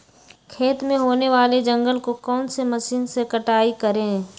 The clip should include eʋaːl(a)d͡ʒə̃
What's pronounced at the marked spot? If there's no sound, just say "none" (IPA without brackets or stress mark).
e